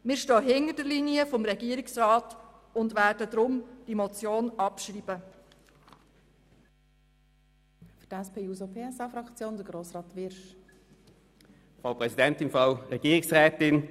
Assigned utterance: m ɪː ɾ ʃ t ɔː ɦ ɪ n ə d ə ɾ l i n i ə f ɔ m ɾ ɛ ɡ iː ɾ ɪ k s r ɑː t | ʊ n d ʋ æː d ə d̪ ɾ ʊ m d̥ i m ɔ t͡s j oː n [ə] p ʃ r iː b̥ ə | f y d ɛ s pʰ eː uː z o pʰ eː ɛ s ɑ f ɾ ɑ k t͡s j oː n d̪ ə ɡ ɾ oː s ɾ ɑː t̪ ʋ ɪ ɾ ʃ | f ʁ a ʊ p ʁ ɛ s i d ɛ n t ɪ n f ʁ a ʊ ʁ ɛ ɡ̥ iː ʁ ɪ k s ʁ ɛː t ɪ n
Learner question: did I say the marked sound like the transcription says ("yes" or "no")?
no